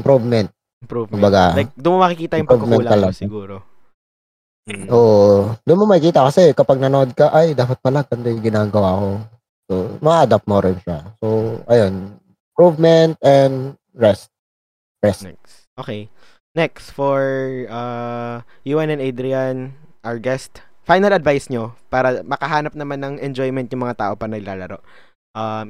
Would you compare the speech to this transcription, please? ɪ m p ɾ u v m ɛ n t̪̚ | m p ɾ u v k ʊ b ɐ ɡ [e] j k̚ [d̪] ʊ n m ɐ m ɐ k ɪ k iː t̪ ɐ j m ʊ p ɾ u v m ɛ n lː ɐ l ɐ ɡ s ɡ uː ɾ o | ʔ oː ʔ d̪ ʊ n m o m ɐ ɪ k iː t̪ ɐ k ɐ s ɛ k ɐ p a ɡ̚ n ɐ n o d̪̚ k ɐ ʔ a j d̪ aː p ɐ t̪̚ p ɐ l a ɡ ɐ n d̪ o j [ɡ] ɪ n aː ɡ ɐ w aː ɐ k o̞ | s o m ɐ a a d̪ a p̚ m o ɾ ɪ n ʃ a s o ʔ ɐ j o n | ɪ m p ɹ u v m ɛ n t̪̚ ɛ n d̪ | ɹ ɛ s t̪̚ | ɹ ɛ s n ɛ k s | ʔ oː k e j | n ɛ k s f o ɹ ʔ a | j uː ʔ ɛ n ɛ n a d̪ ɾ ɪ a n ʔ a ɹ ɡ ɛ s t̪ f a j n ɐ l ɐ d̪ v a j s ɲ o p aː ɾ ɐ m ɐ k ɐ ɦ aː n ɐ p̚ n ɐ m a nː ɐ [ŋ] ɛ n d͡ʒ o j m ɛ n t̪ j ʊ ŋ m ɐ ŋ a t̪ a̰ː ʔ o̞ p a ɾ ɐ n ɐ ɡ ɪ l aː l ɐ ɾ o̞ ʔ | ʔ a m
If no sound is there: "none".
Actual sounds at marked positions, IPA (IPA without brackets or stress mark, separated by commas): a, d̪, ɡ, ŋ